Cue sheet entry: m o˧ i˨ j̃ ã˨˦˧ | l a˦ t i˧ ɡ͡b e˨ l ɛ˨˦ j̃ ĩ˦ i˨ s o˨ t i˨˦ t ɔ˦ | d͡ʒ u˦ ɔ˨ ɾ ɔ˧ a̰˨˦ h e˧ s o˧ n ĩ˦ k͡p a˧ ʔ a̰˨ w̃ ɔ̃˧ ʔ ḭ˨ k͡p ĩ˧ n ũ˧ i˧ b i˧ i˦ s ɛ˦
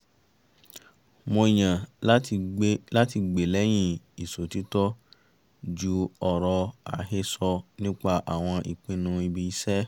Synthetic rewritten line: m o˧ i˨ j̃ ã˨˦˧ | l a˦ t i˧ ɡ͡b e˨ l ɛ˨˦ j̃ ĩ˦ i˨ s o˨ t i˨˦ t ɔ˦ | d͡ʒ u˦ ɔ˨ ɾ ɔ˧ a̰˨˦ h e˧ s ɔ˧ n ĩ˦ k͡p a˧ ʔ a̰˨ w̃ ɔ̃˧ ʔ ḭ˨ k͡p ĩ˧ n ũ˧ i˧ b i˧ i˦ s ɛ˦